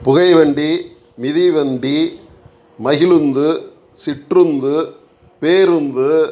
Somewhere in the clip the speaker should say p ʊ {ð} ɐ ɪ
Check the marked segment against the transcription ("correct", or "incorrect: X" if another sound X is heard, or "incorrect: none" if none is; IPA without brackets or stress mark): incorrect: ɣ